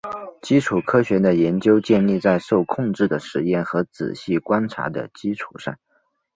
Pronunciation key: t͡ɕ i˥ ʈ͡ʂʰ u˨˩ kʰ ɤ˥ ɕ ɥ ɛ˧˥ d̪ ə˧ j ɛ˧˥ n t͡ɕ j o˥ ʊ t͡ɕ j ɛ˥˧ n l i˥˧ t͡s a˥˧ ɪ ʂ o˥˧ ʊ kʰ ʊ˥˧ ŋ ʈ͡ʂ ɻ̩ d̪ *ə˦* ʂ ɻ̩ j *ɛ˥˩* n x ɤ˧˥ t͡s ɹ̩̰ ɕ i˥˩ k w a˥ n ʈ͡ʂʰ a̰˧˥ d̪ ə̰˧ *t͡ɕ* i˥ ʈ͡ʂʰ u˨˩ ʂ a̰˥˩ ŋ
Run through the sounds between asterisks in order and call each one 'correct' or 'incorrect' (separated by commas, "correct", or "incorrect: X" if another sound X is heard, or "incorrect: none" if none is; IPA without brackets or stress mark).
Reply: incorrect: ə˩, correct, correct